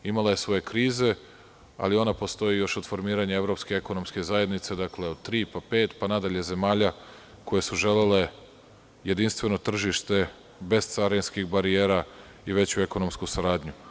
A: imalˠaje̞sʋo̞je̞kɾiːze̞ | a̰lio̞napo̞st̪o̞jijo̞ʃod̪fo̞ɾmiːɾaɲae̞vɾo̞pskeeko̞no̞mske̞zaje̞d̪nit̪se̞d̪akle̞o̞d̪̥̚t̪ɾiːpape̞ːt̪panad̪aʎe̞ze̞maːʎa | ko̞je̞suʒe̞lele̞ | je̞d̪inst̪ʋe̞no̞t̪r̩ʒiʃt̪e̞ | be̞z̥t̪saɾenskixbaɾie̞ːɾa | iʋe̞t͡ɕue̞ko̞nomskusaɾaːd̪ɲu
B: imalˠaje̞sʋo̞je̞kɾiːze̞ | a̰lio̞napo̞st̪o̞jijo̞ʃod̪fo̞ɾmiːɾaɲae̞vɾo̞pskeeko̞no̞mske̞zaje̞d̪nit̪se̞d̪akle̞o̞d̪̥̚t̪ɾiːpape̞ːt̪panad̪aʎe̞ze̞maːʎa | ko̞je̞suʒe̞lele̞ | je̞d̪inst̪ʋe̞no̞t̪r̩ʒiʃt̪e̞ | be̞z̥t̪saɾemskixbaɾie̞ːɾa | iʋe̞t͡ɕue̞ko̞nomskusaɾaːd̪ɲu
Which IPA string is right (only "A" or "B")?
A